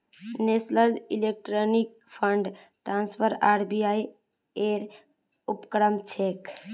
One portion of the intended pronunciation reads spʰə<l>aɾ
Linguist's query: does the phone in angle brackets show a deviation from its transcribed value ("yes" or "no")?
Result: yes